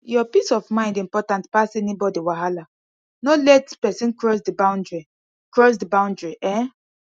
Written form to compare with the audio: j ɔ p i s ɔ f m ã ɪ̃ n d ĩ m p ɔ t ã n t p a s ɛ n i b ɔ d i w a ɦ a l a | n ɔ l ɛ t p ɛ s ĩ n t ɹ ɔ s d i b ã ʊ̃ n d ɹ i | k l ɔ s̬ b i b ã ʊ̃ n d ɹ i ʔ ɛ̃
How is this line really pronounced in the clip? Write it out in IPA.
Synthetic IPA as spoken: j ɔ p i s ɔ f m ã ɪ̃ n d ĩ m p ɔ t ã n t p a s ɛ n i b ɔ d i w a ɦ a l a | n ɔ l ɛ t p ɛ s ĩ n k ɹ ɔ s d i b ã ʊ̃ n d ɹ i | k ɹ ɔ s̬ d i b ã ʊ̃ n d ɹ i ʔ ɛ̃